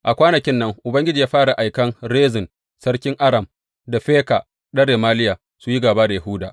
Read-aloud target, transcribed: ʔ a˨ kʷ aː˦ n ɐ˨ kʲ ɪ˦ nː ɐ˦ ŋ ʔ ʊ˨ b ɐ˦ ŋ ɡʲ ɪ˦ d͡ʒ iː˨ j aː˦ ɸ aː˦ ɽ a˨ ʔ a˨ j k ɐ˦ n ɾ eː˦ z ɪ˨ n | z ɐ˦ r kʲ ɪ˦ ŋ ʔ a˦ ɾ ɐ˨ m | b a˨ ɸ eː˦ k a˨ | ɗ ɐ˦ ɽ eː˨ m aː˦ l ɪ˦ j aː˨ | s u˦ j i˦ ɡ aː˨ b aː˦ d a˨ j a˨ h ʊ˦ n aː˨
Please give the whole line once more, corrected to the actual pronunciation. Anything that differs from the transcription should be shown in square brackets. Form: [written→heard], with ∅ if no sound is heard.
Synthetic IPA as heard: ʔ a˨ kʷ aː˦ n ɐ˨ kʲ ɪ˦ nː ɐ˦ ŋ ʔ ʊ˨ b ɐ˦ ŋ ɡʲ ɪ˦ d͡ʒ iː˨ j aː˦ ɸ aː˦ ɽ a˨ ʔ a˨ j k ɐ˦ n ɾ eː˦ z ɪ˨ n | [z→s] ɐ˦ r kʲ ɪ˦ ŋ ʔ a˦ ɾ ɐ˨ m | [b→d] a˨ ɸ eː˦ k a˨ | ɗ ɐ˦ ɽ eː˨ m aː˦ l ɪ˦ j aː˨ | s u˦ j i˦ ɡ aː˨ b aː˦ d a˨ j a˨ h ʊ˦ [n→d] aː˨